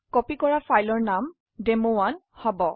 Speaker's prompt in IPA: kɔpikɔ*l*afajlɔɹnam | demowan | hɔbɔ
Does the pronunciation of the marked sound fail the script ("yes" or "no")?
yes